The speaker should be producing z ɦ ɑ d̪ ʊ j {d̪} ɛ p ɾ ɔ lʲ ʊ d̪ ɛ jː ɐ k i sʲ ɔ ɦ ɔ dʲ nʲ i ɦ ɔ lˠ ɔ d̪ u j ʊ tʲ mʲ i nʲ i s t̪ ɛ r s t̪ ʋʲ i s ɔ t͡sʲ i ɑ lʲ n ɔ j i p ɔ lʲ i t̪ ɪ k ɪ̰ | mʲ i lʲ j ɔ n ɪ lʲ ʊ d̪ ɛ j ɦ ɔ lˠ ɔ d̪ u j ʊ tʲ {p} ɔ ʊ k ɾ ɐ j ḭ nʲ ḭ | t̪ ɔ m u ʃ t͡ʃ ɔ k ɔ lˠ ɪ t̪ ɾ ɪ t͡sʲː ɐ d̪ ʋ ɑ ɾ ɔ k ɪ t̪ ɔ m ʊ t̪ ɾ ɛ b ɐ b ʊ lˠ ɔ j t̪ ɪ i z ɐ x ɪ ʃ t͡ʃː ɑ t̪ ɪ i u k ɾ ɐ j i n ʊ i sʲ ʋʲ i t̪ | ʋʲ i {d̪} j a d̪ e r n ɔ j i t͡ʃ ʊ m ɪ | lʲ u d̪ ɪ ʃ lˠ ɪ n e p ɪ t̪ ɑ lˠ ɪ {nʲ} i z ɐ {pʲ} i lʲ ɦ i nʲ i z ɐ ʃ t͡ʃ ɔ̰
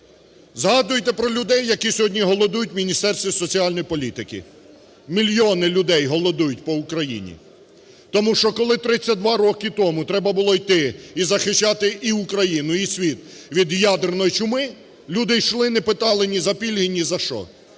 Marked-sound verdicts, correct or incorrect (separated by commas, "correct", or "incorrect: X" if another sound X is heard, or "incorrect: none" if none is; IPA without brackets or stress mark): incorrect: t̪, correct, correct, correct, correct